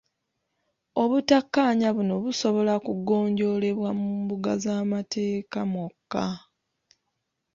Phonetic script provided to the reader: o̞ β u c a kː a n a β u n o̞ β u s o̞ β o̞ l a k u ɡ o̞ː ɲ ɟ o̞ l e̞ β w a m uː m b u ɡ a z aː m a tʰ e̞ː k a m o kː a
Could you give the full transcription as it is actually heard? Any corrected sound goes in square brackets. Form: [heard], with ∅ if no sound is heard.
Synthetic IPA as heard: o̞ β u [t] a kː a [ɲ] a β u n o̞ β u s o̞ β o̞ l a k u ɡ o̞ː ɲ ɟ o̞ l e̞ β w a m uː m b u ɡ a z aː m a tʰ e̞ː k a m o kː a